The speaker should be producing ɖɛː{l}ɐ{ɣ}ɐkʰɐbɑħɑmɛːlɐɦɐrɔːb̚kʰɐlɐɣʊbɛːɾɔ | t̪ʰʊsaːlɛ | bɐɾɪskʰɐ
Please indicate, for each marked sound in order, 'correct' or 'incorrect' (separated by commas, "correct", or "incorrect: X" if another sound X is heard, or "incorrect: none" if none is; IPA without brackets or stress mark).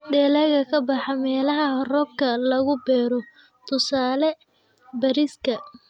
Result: correct, correct